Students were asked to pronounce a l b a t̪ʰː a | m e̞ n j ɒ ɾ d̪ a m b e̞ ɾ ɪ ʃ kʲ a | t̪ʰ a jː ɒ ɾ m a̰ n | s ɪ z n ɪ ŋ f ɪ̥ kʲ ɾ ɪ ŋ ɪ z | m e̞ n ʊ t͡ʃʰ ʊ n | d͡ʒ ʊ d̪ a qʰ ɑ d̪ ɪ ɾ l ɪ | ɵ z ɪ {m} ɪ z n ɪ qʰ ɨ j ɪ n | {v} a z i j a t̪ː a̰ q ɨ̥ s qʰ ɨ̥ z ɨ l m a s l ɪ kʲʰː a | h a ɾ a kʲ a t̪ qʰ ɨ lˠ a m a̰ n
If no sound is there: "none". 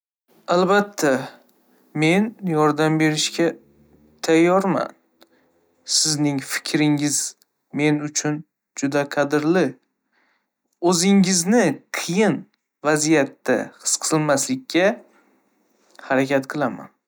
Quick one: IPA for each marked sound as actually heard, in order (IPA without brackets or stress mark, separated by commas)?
ŋ, v